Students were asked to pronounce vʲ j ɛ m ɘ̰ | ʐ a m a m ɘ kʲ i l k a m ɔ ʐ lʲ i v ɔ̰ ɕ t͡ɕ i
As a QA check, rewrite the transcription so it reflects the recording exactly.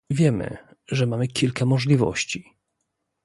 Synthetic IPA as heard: vʲ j ɛ m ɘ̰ | ʐ ɛ m a m ɘ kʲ i l k a m ɔ ʐ lʲ i v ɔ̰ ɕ t͡ɕ i